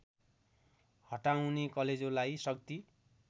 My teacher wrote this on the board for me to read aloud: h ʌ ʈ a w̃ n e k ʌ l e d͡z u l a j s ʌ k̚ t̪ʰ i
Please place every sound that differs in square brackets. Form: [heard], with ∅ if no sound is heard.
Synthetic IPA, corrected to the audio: h ʌ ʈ a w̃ n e k ʌ l e d͡z [o] l a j s ʌ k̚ [t̪] i